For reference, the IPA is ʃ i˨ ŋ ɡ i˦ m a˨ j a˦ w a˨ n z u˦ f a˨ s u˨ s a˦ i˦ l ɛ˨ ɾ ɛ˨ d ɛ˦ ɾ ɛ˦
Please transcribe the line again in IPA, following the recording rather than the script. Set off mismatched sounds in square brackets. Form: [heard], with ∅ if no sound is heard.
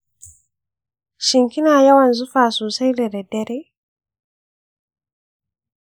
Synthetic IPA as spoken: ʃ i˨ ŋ [k] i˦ [n] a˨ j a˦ w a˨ n z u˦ f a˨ s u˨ s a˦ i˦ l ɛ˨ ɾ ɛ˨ d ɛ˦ ɾ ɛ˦

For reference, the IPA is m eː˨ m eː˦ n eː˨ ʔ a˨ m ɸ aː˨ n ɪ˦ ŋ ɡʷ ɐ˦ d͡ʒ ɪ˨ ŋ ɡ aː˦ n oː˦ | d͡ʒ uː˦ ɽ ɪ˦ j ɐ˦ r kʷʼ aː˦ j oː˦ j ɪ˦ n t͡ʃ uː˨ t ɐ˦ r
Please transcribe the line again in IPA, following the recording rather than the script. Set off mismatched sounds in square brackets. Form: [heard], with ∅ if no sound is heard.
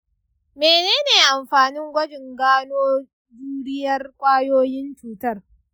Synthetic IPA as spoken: m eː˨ [n] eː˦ n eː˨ ʔ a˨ m ɸ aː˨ n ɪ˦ ŋ ɡʷ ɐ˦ d͡ʒ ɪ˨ ŋ ɡ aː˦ n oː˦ | d͡ʒ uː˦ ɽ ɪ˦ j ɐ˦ r kʷʼ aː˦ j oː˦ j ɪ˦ n t͡ʃ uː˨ t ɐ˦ r

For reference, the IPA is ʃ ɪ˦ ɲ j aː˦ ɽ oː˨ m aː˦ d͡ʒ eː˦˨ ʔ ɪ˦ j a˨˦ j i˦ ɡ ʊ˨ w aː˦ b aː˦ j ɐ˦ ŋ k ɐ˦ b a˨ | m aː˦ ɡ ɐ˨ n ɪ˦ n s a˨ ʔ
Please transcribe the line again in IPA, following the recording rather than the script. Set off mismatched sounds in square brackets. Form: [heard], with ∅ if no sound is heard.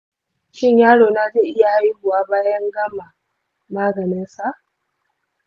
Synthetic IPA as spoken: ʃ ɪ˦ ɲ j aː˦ ɽ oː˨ [n] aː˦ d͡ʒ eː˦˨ ʔ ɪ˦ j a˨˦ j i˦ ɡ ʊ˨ w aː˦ b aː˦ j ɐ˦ ŋ [ɡ] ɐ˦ [m] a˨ | m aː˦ ɡ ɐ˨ n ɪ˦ n s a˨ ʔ

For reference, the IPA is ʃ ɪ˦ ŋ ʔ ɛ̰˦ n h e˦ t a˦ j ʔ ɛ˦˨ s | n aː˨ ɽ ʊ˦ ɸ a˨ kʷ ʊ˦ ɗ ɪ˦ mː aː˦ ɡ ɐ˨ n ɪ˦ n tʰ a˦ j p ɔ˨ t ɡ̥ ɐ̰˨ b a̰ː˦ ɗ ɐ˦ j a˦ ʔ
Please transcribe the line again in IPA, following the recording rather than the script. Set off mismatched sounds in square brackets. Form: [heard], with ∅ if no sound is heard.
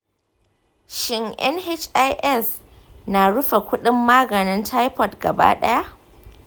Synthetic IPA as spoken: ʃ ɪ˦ ŋ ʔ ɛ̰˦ n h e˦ [t͡ʃ] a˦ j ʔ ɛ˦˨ s | n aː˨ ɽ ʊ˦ ɸ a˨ kʷ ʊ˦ ɗ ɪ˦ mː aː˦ ɡ ɐ˨ n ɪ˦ n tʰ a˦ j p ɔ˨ t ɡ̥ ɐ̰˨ b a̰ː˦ ɗ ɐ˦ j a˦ ʔ

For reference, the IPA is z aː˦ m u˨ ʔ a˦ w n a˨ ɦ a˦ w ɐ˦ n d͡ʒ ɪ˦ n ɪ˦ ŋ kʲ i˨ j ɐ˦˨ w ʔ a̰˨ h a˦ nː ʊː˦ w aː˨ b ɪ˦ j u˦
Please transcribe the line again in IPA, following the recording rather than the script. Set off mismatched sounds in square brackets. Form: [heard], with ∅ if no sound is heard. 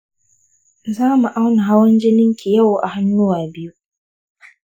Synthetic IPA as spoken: z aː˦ m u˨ ʔ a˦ w n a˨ ɦ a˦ w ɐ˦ n d͡ʒ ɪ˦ n ɪ˦ ŋ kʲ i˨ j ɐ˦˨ w ʔ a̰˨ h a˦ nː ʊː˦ w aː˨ b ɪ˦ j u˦

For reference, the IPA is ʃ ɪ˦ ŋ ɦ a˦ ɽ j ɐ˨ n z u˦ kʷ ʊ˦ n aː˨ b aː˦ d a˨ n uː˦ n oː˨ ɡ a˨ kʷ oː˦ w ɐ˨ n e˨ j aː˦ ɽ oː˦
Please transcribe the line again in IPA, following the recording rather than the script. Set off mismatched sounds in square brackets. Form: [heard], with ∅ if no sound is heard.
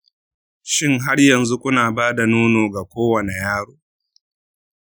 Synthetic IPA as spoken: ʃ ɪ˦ ŋ ɦ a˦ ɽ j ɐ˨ n z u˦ kʷ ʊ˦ n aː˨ b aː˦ d a˨ n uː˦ n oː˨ ɡ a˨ kʷ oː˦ w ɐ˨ n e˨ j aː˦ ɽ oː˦

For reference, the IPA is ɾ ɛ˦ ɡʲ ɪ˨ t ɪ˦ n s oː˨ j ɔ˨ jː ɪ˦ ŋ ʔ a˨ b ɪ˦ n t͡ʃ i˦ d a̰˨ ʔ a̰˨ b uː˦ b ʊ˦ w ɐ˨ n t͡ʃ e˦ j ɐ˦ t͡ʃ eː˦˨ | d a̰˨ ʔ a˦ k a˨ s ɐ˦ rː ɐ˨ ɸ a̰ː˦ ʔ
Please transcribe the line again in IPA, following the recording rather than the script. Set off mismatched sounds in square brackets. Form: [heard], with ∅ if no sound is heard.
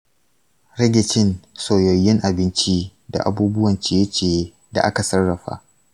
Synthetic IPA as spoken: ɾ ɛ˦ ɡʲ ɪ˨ [t͡ʃ] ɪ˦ n s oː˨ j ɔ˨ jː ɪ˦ ŋ ʔ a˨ b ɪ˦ n t͡ʃ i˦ d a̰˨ ʔ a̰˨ b uː˦ b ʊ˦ w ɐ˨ n t͡ʃ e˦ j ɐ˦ t͡ʃ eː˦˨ | d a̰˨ ʔ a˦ k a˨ s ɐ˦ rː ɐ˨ ɸ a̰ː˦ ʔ

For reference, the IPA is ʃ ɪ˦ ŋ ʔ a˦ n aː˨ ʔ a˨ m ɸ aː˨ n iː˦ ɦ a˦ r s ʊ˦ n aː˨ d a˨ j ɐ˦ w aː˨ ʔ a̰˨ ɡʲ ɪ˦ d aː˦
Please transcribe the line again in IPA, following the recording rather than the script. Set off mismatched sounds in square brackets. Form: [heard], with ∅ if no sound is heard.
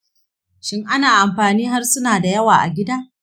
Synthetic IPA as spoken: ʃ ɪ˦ ŋ ʔ a˦ n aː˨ ʔ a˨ m ɸ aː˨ n iː˦ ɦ a˦ r s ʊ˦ n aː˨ d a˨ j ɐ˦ w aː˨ ʔ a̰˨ ɡʲ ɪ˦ d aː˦

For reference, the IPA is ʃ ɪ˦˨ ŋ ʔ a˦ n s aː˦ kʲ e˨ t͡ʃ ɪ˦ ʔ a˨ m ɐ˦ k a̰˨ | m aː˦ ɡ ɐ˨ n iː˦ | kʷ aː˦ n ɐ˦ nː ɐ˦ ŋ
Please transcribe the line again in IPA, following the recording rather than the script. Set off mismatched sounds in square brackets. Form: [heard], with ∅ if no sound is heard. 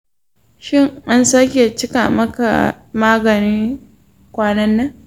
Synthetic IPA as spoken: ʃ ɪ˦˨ ŋ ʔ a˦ n s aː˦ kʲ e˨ t͡ʃ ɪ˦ [k] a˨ m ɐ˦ k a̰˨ | m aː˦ ɡ ɐ˨ n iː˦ | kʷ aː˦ n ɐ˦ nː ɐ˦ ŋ

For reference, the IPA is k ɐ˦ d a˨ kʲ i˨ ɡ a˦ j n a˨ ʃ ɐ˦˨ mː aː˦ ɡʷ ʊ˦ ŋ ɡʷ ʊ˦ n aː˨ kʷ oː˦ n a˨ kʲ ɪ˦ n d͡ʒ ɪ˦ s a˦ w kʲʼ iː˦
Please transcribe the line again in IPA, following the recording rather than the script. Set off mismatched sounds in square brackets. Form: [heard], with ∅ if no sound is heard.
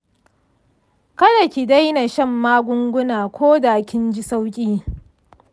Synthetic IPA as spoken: k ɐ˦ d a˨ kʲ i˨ [d] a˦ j n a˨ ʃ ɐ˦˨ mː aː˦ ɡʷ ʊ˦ ŋ ɡʷ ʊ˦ n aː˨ kʷ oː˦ [d] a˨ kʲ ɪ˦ n d͡ʒ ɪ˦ s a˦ w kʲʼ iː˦

